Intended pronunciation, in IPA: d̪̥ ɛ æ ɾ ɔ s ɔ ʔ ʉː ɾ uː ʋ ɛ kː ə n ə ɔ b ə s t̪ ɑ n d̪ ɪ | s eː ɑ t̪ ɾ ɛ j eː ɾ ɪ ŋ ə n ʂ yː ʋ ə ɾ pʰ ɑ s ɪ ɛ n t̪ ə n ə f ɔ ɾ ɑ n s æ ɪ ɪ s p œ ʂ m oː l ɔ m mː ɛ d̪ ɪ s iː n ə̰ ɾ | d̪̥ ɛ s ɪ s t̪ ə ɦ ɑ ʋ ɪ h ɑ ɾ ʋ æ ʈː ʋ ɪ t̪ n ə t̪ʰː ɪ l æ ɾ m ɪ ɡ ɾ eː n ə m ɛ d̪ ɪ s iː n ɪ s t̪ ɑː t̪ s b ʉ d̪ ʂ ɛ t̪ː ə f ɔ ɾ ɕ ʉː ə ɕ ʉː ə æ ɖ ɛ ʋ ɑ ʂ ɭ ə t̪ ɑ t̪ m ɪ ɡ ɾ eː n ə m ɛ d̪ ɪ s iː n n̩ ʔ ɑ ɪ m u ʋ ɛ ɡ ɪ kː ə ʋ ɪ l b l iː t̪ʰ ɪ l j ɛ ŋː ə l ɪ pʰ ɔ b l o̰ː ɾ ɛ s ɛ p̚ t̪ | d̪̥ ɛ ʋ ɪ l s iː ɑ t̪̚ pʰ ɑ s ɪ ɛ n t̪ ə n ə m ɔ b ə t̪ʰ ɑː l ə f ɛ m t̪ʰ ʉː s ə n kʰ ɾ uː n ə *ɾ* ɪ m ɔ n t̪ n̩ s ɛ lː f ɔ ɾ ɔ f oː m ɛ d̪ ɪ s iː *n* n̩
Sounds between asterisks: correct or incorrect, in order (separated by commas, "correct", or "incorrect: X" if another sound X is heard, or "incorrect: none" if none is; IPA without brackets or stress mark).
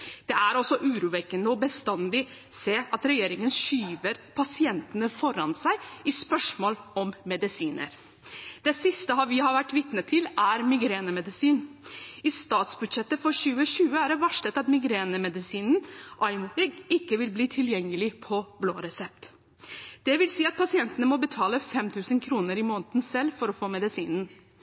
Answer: correct, correct